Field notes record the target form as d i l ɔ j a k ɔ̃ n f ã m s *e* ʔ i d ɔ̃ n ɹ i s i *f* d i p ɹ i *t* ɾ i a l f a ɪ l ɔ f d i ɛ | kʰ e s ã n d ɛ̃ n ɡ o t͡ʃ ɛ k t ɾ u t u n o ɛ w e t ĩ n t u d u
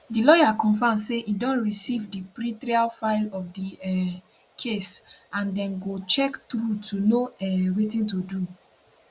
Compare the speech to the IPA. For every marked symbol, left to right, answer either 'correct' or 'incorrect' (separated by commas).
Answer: correct, incorrect, correct